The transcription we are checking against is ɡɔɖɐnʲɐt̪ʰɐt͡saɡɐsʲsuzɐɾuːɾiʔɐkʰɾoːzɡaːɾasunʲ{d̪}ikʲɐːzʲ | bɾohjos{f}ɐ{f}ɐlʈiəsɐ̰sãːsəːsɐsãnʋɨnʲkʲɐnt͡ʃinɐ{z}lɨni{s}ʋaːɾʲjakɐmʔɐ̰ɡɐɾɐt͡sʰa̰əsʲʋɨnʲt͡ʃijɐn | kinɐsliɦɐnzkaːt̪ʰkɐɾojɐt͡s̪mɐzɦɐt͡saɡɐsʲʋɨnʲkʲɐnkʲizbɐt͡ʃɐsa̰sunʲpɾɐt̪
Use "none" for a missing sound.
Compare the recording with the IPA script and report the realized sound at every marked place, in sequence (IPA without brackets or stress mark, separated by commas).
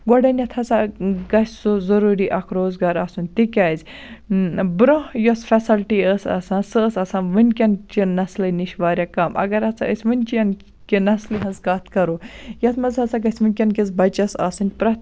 t̪, f, s, s, ʃ